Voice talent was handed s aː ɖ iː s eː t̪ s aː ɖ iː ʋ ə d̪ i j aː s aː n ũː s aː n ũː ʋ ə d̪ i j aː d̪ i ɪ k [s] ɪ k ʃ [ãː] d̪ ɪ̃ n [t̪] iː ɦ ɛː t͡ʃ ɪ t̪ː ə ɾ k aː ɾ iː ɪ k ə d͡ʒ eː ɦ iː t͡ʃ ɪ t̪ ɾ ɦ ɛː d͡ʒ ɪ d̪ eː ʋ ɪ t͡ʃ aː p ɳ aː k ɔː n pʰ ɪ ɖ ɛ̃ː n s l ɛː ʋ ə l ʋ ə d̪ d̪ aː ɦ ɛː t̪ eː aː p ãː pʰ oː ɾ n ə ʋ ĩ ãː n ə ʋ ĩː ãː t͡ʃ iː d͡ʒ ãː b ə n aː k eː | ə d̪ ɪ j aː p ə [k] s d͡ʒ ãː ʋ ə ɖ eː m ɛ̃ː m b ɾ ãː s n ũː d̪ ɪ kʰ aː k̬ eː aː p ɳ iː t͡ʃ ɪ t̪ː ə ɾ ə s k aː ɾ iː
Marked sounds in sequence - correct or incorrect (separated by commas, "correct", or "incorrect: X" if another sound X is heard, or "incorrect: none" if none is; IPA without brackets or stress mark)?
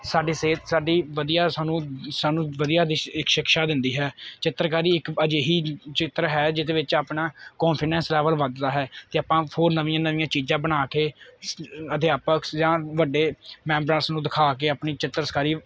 incorrect: ʃ, incorrect: aː, incorrect: d̪, correct